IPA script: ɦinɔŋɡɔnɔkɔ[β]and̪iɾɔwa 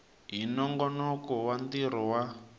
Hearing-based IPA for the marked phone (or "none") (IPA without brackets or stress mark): w